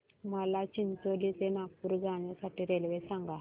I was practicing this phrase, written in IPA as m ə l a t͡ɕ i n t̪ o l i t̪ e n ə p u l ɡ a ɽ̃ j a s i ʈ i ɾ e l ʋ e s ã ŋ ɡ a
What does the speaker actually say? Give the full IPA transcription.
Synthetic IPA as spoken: m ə l a t͡ɕ i n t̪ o l i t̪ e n a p u ɾ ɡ a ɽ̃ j a s a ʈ i ɾ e l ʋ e s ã ŋ ɡ a